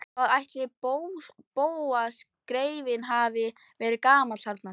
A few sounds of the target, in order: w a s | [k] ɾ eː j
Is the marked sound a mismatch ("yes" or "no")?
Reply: no